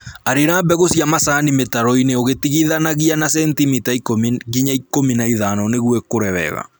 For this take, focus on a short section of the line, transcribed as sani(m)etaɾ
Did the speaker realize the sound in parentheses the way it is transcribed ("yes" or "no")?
yes